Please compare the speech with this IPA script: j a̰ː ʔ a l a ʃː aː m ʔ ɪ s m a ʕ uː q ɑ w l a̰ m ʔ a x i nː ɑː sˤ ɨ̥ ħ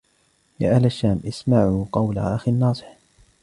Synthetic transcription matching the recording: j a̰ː ʔ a l a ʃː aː m ʔ ɪ s m a ʕ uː q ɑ w l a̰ ʔ a x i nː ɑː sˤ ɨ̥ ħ